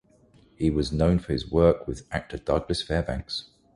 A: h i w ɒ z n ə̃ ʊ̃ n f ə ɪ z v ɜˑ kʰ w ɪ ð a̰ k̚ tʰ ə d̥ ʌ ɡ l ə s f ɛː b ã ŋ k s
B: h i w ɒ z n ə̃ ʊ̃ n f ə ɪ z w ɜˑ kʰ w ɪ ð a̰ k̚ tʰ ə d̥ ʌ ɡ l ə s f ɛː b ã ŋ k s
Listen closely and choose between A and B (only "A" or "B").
B